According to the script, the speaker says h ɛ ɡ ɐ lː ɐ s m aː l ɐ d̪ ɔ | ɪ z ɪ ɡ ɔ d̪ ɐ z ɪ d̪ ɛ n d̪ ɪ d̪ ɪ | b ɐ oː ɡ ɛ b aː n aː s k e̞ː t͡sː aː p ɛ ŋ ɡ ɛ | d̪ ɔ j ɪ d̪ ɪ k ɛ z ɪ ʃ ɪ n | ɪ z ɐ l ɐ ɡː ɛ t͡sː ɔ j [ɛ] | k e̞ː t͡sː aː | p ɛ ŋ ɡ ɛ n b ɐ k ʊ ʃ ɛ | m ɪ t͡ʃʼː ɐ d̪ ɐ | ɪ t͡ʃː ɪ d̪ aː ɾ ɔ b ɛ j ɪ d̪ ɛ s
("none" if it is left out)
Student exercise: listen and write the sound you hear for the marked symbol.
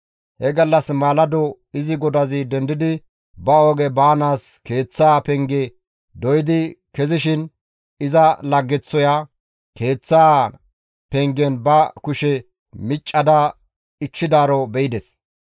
a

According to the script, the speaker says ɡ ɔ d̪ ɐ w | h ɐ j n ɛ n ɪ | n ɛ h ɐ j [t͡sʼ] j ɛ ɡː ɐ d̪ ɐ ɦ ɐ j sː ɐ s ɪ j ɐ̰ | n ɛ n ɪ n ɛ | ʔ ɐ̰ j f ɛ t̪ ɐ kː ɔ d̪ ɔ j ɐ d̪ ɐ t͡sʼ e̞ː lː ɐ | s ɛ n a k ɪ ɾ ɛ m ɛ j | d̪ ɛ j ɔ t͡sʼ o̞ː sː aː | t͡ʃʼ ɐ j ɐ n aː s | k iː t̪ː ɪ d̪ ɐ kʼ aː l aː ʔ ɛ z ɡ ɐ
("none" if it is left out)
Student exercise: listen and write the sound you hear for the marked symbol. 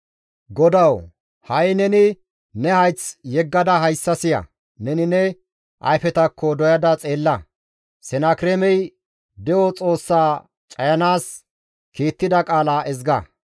t͡s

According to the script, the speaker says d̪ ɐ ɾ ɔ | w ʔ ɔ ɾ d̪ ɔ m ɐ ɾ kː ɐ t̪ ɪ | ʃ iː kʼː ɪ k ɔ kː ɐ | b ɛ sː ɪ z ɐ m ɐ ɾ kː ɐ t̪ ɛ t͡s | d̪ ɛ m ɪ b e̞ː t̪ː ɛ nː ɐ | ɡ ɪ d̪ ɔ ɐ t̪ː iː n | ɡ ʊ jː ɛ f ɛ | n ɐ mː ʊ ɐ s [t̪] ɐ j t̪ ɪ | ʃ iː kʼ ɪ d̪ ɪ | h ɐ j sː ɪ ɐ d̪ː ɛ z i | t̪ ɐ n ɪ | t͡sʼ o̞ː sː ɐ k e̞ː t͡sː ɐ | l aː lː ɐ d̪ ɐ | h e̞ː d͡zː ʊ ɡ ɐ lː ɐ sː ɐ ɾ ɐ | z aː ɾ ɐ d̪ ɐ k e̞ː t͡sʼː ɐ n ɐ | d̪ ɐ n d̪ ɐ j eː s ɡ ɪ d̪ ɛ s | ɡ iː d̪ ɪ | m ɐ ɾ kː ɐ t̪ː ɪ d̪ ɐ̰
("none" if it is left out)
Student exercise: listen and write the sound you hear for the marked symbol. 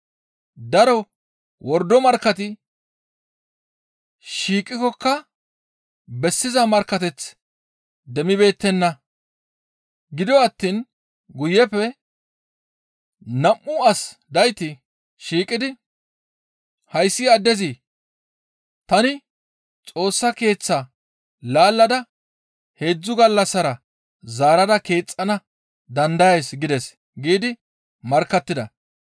d̪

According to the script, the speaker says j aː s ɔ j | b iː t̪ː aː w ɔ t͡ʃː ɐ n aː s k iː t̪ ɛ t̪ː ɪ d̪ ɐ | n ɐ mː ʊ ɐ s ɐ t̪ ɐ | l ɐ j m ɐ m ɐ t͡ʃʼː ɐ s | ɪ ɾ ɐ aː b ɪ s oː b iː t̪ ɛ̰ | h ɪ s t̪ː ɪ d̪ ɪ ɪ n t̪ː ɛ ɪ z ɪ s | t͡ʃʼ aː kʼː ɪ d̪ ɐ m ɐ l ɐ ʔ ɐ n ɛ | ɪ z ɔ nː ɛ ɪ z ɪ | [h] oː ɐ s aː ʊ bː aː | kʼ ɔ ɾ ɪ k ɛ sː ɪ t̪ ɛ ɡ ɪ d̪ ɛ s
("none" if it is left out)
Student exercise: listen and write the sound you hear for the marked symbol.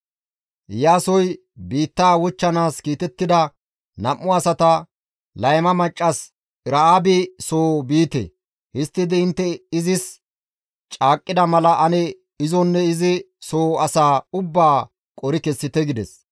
s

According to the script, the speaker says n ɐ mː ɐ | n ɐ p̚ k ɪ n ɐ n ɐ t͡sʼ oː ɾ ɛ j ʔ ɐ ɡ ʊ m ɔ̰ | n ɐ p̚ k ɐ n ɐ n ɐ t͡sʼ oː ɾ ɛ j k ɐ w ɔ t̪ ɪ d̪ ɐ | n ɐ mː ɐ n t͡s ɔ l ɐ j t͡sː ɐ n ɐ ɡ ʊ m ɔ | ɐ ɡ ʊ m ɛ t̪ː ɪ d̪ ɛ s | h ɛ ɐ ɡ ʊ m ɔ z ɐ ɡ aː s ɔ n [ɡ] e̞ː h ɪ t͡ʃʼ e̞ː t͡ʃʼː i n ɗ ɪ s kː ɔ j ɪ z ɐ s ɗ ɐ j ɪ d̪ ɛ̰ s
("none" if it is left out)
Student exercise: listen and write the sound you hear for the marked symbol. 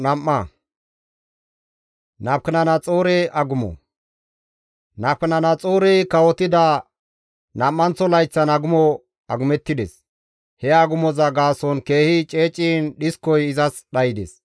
k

